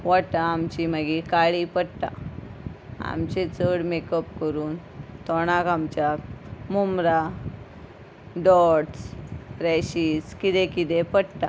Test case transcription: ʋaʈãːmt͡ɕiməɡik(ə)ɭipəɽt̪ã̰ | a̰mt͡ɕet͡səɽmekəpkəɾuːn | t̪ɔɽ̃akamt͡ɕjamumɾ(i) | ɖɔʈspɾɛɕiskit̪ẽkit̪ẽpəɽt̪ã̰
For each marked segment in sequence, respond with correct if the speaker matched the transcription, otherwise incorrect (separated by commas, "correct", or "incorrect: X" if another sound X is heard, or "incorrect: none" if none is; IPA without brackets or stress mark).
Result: incorrect: a, incorrect: a